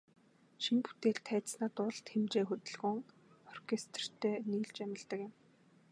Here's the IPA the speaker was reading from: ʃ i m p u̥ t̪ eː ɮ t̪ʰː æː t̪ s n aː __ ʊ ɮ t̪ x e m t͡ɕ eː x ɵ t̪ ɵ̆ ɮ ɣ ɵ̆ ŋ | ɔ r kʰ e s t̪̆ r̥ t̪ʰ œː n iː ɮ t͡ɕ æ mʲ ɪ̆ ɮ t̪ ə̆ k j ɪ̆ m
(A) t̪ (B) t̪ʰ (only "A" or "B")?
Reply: A